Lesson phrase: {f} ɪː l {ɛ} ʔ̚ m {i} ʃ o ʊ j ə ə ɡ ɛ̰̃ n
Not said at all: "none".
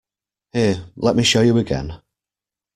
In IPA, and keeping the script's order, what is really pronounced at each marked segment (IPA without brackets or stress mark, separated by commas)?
h, ɛ, i